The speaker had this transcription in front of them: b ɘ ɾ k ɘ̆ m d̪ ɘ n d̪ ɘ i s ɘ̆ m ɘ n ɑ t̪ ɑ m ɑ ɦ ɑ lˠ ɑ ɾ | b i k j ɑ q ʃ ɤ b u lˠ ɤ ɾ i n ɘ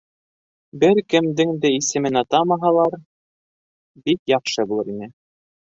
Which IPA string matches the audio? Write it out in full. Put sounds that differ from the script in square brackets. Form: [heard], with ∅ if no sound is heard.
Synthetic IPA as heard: b ɘ ɾ k ɘ̆ m d̪ ɘ [ŋ] d̪ ɘ i s ɘ̆ m ɘ n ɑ t̪ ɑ m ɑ ɦ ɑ lˠ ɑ ɾ | b i k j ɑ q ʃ ɤ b u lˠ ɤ ɾ i n ɘ